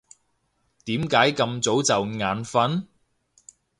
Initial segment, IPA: t̪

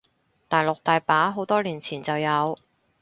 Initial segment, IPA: t̪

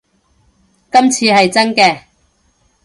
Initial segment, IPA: k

